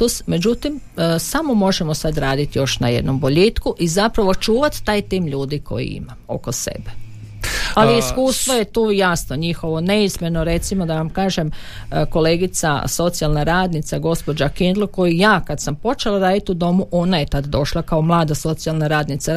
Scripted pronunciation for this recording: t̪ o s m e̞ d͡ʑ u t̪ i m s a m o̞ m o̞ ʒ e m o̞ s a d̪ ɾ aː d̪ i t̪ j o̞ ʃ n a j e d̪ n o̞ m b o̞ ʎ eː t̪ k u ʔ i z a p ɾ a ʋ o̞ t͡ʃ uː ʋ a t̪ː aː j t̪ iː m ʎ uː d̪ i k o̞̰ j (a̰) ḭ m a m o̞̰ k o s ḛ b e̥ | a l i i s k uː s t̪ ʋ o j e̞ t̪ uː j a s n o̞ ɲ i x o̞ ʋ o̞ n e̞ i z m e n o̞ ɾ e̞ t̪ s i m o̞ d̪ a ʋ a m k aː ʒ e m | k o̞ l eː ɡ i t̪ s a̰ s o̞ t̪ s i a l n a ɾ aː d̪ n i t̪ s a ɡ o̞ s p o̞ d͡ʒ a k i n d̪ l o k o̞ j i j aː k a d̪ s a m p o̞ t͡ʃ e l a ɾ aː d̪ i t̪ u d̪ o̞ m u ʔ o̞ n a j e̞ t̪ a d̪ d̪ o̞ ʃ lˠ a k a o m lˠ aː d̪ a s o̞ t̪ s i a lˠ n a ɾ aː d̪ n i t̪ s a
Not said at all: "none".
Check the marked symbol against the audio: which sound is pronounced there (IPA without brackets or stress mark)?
ḭ